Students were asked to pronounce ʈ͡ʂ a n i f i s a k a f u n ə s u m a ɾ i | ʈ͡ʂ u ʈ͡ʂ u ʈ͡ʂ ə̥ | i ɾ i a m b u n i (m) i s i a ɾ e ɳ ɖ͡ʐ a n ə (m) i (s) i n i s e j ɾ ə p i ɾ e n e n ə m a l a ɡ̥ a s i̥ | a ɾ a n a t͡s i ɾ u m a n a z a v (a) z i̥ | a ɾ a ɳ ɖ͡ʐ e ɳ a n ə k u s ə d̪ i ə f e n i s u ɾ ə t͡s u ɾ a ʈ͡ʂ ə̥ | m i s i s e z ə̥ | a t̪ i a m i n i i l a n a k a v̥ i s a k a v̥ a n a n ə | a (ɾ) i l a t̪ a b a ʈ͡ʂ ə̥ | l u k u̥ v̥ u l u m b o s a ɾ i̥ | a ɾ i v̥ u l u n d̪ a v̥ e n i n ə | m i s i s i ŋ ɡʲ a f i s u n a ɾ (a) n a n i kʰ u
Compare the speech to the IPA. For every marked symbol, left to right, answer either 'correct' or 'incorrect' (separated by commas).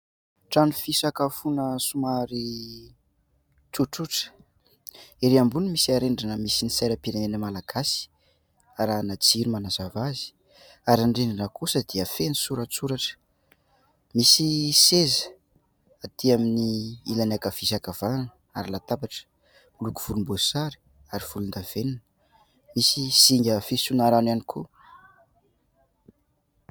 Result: correct, correct, correct, correct, correct, correct